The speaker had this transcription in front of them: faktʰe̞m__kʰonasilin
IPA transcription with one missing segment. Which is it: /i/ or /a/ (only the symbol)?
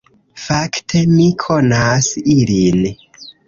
i